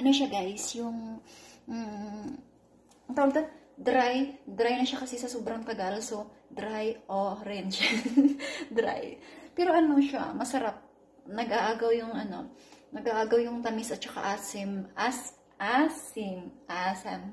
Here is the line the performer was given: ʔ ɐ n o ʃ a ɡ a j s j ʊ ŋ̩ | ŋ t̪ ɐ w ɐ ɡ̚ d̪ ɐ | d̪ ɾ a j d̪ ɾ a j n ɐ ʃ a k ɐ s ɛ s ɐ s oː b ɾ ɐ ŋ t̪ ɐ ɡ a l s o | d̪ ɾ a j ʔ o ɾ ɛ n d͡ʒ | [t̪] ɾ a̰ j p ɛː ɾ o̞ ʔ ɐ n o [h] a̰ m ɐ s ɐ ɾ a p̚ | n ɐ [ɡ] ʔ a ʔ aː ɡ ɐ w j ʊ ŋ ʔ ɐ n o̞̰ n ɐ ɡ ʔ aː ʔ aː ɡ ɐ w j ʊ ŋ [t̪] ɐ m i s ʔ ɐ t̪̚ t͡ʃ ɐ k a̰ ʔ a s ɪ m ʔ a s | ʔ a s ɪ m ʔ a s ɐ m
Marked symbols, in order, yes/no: no, no, yes, yes

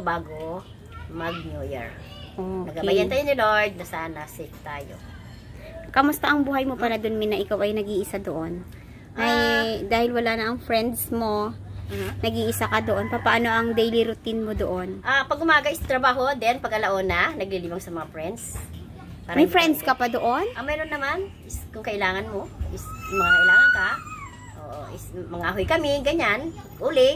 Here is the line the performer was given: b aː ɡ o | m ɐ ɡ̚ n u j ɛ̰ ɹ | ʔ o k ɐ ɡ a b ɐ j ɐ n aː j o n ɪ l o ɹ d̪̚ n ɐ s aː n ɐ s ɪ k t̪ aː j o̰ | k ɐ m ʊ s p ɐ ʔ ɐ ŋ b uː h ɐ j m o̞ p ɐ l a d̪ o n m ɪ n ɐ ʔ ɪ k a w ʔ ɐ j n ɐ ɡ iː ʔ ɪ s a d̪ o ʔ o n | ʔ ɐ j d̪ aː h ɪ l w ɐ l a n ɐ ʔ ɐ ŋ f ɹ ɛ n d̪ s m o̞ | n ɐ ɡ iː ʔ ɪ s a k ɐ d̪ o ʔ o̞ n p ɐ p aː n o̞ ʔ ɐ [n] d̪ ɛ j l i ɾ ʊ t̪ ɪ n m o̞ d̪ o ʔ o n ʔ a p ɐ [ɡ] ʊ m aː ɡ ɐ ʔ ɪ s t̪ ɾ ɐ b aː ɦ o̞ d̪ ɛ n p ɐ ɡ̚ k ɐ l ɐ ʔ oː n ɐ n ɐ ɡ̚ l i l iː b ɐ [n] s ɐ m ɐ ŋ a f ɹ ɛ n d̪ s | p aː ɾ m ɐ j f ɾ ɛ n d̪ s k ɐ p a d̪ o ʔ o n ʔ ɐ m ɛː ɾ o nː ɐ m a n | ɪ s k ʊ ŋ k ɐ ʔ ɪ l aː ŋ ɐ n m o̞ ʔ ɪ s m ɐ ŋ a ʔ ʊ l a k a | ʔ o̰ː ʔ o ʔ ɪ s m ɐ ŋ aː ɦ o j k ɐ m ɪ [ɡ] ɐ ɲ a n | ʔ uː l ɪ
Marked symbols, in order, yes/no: no, yes, no, yes

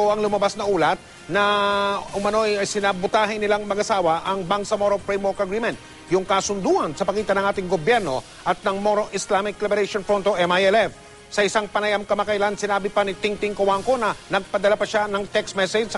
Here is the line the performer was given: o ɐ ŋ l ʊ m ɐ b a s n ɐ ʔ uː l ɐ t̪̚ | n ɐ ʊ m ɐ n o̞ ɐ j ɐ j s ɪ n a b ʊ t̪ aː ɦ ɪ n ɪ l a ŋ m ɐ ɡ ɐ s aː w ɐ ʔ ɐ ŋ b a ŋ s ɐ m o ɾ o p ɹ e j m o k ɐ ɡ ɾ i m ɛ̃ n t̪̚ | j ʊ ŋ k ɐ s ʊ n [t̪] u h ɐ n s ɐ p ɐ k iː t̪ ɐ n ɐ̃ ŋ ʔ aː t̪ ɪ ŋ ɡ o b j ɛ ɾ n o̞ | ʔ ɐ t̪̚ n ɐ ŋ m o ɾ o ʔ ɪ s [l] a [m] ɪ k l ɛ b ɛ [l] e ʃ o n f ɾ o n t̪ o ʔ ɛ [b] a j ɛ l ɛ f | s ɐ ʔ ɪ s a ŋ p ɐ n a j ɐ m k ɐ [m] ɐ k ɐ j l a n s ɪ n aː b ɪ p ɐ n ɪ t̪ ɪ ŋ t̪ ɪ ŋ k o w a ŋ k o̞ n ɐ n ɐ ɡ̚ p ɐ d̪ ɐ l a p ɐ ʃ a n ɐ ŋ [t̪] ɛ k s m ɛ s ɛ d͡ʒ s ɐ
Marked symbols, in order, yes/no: no, yes, yes, no, no, yes, yes

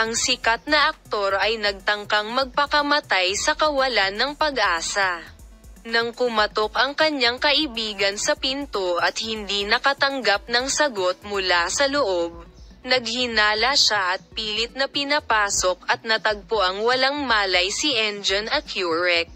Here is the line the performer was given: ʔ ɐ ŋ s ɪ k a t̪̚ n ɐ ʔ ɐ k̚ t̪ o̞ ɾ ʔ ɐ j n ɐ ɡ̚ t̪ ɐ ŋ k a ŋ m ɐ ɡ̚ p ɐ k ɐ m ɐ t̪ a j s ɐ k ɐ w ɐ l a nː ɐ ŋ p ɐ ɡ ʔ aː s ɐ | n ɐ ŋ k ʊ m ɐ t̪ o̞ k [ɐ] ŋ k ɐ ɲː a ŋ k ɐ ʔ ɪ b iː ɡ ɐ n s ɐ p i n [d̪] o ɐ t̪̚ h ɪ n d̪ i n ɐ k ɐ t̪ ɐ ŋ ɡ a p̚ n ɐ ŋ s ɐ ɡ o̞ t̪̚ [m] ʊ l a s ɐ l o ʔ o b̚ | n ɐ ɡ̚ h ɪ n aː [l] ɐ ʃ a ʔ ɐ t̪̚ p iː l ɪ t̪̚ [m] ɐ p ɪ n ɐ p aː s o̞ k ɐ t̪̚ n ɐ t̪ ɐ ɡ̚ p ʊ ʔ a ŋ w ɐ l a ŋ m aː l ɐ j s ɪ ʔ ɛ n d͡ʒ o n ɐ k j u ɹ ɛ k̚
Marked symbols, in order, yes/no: yes, no, yes, yes, no

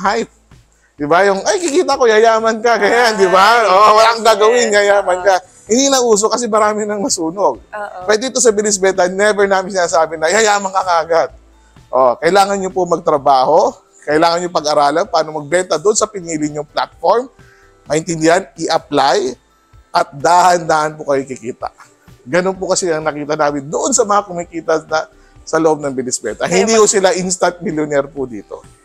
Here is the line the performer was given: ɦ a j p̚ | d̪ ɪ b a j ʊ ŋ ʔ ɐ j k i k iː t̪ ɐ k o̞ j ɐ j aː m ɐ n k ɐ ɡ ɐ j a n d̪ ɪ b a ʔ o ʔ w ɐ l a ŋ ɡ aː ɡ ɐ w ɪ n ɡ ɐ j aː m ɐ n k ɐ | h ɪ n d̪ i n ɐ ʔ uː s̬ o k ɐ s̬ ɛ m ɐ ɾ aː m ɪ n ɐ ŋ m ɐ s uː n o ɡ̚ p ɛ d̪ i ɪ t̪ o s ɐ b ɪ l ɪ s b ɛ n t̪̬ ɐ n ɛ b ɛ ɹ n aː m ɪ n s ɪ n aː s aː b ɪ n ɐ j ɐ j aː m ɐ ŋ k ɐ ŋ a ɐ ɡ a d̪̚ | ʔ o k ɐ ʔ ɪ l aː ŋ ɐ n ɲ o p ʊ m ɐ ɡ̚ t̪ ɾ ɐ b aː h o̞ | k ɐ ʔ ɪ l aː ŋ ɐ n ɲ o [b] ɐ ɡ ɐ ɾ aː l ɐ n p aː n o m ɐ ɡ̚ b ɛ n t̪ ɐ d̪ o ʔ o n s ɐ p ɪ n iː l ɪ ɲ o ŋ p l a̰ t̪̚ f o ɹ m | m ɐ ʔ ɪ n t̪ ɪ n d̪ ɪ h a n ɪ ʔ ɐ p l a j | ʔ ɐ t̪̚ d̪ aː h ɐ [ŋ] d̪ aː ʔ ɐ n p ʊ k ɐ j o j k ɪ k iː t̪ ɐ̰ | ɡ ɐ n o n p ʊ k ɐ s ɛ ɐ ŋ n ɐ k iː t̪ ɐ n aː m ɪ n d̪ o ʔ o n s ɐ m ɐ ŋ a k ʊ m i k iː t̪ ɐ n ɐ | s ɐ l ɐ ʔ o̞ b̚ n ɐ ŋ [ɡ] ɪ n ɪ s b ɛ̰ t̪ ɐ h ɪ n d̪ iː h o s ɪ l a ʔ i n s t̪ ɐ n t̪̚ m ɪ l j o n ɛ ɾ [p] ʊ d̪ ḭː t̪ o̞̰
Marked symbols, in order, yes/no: no, no, no, yes

